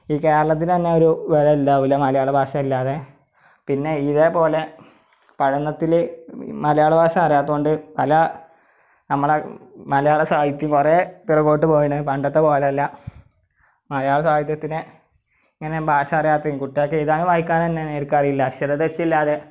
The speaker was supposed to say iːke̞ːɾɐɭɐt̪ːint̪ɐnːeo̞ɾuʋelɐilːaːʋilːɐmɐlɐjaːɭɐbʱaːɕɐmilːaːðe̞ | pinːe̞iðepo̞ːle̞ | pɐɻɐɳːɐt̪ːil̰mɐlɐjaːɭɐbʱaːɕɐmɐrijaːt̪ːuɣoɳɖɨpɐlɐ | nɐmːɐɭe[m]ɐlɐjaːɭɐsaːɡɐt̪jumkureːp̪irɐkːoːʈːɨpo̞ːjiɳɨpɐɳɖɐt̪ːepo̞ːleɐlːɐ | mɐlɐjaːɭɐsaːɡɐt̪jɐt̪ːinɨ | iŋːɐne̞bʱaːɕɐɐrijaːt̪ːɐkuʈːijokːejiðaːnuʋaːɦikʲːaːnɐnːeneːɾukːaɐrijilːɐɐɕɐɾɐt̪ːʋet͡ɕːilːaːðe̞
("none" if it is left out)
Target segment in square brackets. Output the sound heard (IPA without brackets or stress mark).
m